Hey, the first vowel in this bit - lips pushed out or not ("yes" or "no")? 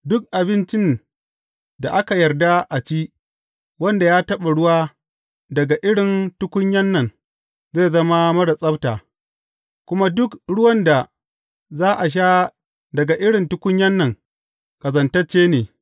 yes